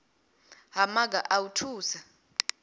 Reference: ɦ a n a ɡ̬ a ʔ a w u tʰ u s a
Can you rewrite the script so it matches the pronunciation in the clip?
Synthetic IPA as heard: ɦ a m a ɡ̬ a ʔ a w u tʰ uː s a

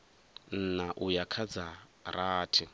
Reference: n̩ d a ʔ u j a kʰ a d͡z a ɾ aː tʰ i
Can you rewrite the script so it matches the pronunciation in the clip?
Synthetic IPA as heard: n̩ n a ʔ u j a kʰ a d͡z a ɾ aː tʰ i

